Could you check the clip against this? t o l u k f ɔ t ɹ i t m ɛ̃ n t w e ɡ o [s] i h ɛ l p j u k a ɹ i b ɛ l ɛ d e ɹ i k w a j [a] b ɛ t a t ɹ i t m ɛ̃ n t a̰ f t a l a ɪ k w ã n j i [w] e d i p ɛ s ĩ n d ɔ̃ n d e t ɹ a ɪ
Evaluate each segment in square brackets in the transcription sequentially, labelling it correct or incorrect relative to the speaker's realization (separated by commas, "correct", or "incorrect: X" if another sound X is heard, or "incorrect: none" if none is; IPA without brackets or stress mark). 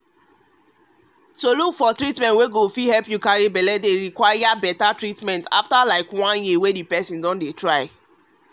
incorrect: f, correct, correct